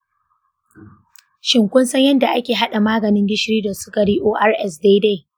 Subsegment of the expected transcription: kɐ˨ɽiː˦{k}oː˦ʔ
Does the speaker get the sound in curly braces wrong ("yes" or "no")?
yes